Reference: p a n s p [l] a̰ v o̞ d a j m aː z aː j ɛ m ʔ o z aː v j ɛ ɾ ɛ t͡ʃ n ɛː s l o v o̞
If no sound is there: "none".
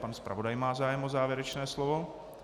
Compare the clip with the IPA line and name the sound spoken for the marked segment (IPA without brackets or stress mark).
ɾ